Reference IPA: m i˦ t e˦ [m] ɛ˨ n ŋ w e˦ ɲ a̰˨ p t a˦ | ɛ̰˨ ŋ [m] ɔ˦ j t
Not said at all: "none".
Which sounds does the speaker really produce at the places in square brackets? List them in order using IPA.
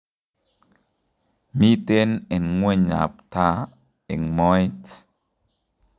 n, m

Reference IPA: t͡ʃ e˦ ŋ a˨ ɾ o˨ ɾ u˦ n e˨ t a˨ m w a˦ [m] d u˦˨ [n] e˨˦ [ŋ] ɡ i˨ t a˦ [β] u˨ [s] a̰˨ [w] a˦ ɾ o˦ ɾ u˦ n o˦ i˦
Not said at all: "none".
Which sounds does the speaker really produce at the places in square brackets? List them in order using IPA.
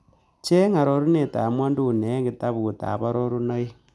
n, n, ŋ, β, t, β

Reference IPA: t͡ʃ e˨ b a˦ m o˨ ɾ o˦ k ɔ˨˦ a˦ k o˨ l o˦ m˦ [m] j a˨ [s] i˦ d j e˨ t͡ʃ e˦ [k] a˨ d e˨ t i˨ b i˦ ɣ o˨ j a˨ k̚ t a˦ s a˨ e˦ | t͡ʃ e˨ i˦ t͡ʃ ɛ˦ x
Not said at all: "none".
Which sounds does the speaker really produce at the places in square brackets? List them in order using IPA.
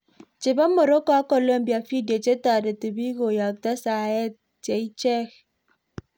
b, f, t

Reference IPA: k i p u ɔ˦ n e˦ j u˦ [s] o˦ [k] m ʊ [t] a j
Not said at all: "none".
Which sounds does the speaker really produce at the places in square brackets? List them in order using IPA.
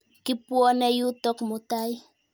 t, k, t

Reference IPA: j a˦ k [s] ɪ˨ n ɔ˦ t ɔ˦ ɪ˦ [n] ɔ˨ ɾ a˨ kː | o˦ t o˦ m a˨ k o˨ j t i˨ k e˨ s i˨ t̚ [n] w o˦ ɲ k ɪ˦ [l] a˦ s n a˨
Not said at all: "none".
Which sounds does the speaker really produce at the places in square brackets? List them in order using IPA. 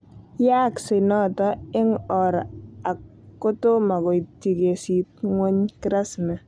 s, ŋ, ŋ, ɾ

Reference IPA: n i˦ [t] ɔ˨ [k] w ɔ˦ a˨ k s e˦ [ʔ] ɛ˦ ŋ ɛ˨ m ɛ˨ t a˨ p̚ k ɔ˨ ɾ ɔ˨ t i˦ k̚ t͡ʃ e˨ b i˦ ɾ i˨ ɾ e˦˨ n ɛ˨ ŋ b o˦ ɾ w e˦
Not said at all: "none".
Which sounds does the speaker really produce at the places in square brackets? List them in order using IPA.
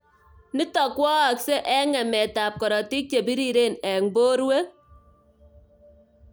t, k, ʔ

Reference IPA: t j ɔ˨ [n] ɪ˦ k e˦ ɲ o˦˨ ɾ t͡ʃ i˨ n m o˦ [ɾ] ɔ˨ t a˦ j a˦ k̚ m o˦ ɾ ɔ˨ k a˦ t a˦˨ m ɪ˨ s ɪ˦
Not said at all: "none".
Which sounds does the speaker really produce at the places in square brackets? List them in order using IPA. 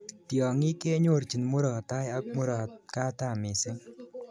ŋ, ɾ

